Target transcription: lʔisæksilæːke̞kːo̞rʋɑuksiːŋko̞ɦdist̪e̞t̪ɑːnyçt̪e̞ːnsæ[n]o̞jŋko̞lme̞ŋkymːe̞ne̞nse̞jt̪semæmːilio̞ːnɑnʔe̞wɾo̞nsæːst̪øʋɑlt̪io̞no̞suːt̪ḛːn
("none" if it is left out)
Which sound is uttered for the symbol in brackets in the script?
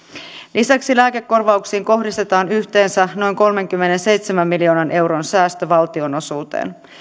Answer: n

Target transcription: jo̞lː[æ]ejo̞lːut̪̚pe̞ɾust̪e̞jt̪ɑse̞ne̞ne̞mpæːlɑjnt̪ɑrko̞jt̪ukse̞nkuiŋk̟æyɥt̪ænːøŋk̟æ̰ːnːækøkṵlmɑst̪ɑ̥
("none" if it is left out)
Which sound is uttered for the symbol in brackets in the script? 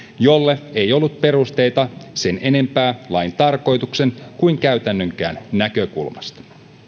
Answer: e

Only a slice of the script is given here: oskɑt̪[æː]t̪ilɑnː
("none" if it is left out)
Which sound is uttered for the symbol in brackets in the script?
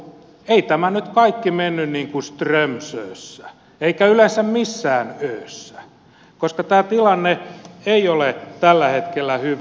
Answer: æː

